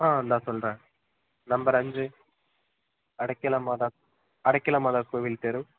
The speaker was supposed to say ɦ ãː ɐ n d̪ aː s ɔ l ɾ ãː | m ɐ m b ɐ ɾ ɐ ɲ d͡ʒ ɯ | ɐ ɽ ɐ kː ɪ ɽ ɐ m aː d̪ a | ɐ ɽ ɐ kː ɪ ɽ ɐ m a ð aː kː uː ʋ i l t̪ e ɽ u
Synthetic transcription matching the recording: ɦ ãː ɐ n d̪ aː s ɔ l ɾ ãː | n ɐ m b ɐ ɾ ɐ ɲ d͡ʒ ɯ | ɐ ɽ ɐ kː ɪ l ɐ m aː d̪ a | ɐ ɽ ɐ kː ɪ l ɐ m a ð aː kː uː ʋ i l t̪ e ɾ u